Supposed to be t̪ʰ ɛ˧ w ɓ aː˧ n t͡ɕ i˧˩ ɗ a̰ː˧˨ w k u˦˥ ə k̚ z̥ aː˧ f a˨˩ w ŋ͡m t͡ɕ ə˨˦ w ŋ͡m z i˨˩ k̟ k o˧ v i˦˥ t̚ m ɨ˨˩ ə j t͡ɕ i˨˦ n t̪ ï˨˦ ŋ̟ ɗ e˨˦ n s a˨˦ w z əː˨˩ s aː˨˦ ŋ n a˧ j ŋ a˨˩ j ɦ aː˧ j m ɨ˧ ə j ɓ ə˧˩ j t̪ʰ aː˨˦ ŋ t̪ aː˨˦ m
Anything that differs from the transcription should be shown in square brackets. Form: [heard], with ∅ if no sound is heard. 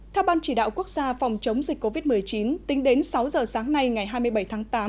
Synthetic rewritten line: t̪ʰ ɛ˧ w ɓ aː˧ n t͡ɕ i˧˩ ɗ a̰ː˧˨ w k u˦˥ ə k̚ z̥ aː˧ f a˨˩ w ŋ͡m t͡ɕ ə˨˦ w ŋ͡m z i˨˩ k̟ k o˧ v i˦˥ t̚ m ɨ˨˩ ə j t͡ɕ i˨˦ n t̪ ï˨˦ ŋ̟ ɗ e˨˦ n s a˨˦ w z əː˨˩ s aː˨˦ ŋ n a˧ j ŋ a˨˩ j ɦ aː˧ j m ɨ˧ ə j ɓ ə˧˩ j t̪ʰ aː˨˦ ŋ t̪ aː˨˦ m